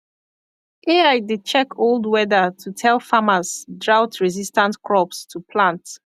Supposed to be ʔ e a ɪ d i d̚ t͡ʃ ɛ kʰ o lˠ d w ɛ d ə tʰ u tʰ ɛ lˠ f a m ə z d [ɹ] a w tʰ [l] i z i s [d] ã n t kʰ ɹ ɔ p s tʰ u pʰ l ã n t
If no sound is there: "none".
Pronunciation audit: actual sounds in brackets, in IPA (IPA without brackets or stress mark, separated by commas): ɹ, ɹ, t